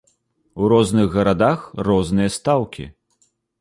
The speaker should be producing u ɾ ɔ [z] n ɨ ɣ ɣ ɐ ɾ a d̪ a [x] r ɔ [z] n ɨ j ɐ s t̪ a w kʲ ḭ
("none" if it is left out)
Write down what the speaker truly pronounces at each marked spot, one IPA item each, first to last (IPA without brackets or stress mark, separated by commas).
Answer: z, x, z